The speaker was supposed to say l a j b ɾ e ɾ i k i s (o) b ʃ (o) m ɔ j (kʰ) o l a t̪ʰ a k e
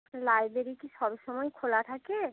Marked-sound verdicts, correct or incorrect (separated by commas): incorrect, incorrect, correct